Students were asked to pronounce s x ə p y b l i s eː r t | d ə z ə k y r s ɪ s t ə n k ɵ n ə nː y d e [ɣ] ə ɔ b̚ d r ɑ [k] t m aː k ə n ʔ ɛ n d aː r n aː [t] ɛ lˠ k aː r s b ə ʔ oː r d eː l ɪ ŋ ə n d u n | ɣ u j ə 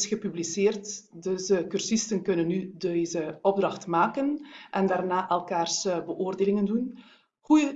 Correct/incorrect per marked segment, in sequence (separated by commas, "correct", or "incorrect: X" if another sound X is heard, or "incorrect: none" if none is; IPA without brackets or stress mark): incorrect: z, incorrect: x, incorrect: ʔ